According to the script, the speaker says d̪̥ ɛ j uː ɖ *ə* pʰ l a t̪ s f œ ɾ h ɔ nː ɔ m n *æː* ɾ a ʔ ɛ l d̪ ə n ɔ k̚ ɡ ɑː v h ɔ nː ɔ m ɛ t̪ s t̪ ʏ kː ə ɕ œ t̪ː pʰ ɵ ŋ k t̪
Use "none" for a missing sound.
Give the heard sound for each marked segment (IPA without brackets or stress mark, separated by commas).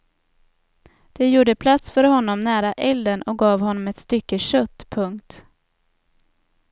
ə, æː